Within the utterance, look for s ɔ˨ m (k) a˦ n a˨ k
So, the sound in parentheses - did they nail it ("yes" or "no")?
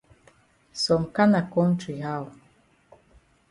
yes